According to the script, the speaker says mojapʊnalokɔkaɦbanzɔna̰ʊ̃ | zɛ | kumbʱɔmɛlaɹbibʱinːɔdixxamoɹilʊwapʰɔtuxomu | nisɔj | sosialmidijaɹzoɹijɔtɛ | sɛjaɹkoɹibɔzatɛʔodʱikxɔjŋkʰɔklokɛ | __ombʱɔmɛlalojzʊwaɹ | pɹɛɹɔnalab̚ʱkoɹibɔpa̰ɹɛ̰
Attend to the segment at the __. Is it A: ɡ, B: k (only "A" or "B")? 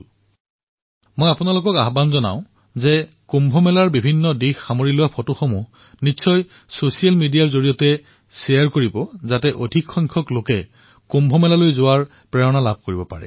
B